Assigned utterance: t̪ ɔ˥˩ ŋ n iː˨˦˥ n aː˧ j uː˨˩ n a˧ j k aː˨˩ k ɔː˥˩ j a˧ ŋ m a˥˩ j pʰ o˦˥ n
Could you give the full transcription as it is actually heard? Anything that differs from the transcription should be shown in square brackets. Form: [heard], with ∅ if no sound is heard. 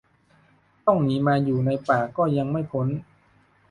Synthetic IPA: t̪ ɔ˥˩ ŋ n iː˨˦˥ [m] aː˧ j uː˨˩ n a˧ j [p] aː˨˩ k ɔː˥˩ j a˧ ŋ m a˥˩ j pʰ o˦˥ n